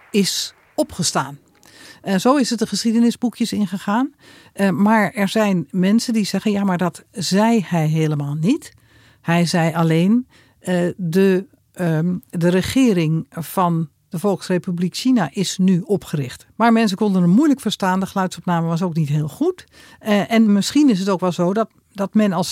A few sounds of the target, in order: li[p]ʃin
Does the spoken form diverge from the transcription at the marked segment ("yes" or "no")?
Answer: yes